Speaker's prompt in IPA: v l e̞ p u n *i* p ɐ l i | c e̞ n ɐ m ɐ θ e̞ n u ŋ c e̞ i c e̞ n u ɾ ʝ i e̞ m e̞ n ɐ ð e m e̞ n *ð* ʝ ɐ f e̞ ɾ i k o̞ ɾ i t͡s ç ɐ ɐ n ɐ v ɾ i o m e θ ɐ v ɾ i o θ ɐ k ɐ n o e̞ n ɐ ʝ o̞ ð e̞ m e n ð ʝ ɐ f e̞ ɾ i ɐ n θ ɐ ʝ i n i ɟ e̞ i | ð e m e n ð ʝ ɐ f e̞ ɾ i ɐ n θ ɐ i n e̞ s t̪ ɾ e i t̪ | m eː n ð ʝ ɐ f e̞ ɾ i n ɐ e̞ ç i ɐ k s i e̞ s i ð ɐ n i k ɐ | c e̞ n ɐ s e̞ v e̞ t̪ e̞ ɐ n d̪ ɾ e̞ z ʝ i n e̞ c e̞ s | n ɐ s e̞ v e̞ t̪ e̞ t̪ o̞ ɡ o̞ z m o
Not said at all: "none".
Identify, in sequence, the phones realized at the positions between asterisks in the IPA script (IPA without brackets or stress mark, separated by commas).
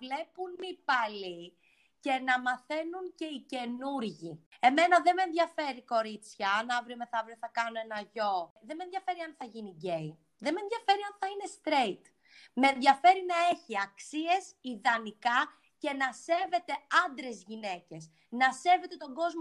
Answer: i, ð